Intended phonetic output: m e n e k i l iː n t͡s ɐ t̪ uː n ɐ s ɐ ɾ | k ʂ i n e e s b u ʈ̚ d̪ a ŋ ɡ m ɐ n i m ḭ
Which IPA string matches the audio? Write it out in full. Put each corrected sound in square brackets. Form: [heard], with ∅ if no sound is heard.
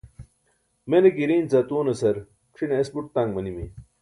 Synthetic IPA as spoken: m e n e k i [ɾ] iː n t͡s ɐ t̪ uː n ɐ s ɐ ɾ | k ʂ i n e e s b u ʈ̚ [t̪] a ŋ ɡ m ɐ n i m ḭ